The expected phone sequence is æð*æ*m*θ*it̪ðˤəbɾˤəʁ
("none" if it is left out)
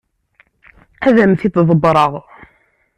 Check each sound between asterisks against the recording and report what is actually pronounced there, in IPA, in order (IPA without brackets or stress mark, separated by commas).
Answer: æ, θ